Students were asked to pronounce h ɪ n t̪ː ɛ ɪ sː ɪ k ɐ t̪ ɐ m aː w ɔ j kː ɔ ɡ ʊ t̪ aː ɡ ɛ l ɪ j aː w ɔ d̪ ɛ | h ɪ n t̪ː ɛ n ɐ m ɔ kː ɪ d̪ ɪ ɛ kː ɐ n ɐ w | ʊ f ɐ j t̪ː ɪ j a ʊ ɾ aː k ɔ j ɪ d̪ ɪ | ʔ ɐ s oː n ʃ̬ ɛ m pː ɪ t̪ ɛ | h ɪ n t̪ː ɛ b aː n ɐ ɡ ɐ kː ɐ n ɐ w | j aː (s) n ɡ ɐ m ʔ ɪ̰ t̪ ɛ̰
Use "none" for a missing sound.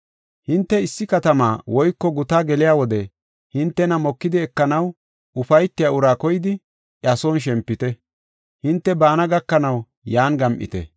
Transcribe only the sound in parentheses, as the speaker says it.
none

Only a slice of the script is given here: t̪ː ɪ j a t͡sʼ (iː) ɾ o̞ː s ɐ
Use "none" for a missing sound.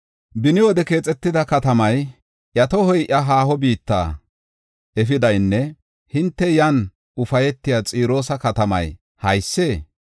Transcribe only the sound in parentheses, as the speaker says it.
iː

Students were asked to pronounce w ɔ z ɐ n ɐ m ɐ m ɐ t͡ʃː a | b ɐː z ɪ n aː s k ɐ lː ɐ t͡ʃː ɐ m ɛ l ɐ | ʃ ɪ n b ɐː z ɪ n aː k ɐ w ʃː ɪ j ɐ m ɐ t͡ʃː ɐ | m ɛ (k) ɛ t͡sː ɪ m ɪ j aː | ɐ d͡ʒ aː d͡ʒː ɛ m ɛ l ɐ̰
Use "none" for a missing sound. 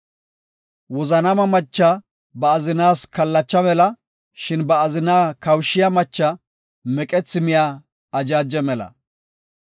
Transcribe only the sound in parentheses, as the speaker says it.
kʼ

